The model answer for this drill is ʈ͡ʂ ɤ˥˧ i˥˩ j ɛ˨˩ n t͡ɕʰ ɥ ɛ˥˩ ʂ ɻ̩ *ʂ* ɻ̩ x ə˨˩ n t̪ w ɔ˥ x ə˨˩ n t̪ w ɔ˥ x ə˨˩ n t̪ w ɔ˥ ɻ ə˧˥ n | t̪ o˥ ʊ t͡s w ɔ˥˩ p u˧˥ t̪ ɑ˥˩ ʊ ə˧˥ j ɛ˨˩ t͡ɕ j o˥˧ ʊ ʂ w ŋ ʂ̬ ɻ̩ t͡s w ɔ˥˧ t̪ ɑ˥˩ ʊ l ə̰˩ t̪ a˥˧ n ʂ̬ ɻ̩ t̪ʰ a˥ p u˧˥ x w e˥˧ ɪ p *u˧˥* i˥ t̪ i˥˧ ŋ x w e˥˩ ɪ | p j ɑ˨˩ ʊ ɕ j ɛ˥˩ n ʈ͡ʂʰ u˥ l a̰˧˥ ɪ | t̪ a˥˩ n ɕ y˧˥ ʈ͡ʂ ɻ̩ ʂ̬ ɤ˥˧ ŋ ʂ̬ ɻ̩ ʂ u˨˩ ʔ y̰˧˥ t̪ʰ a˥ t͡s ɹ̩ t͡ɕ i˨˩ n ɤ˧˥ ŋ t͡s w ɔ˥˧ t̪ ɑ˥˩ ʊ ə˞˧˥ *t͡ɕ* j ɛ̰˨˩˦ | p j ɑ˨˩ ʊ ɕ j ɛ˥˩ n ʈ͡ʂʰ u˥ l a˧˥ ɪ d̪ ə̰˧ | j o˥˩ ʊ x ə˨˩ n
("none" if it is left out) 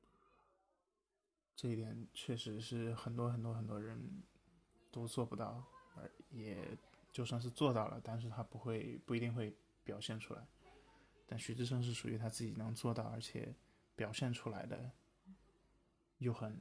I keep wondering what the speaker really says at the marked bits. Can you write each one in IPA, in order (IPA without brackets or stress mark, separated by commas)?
ʂ, u˥˩, t͡ɕʰ